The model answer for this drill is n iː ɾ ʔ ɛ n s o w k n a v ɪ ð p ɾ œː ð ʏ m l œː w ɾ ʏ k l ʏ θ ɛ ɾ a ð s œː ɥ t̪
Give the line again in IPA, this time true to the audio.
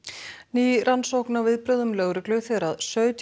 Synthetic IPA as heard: n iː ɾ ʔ a n s o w k n a v ɪ ð p ɾ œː ð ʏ m l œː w ɾ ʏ k l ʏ θ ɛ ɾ a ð s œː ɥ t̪